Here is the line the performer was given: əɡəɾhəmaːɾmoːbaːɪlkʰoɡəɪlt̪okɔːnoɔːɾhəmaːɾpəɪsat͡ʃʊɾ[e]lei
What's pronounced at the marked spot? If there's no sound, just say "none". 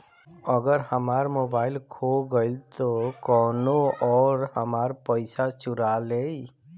a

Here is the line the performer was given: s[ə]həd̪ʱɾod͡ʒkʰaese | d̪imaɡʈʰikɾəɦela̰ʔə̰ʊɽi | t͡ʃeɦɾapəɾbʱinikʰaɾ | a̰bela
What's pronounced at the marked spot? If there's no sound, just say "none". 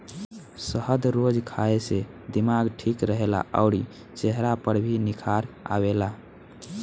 ə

